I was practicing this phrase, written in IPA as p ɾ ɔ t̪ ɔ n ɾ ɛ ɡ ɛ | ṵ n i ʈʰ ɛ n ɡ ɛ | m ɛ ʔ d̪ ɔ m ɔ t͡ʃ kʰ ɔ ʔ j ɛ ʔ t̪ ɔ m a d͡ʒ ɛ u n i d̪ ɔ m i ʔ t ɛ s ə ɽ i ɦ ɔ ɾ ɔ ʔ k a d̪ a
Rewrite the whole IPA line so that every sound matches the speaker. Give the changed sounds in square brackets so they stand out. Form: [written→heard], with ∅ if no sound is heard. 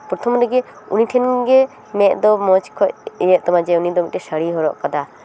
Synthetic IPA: p ɾ ɔ [t̪→t̪ʰ] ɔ [n→m] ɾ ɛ ɡ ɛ | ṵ n i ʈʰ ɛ n ɡ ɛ | m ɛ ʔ d̪ ɔ m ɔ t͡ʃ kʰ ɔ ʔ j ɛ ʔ t̪ ɔ m a d͡ʒ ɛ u n i d̪ ɔ m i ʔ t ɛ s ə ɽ i ɦ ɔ ɾ ɔ ʔ k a d̪ a